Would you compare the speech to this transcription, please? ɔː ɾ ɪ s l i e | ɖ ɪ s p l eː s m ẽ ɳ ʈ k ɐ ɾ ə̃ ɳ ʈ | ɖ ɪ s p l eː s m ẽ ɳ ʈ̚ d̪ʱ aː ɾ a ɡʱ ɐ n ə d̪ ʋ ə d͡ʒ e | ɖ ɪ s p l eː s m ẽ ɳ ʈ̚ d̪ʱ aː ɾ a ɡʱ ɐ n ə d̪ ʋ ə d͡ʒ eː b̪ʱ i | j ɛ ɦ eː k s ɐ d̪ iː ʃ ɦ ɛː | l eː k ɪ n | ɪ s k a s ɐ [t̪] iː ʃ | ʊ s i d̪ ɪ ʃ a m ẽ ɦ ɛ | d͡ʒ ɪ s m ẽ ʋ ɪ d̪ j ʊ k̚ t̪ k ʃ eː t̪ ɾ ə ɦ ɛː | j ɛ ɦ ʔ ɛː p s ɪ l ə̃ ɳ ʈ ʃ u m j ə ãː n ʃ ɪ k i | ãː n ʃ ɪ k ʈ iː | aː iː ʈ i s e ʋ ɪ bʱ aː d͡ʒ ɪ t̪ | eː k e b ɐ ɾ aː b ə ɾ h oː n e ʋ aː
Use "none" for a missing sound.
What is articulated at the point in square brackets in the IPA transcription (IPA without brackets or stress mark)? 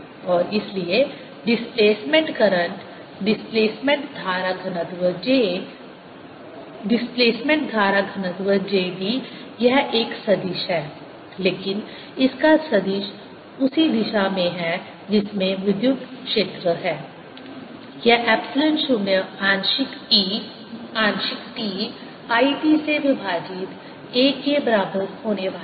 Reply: d̪